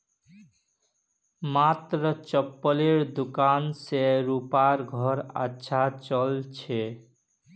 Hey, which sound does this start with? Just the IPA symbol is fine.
m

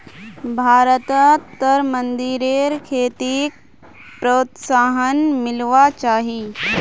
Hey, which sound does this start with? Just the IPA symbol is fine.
bʱ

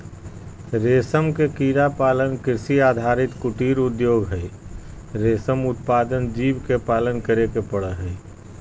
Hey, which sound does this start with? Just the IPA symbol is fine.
ɾ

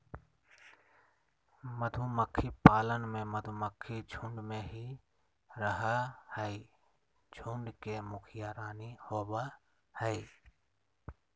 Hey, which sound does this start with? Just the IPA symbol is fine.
m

